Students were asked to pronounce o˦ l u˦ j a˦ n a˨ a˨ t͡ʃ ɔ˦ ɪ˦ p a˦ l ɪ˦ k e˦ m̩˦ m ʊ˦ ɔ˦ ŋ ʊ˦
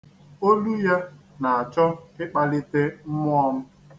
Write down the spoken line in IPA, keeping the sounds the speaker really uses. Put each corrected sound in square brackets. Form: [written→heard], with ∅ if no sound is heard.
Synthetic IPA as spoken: o˦ l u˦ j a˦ n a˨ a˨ t͡ʃ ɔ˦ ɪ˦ [p→k͡p] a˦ l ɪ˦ [k→t] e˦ m̩˦ m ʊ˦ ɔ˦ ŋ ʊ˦